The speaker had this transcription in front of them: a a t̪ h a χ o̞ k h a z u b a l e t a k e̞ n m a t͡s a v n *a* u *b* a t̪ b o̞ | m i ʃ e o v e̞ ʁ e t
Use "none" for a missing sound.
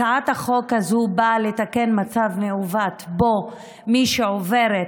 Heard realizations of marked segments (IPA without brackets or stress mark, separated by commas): e, v